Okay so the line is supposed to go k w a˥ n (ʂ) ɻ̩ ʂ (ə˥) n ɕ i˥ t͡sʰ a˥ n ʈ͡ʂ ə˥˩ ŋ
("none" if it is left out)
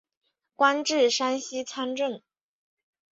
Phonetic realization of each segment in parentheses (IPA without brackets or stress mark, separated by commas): ʈ͡ʂ, a˥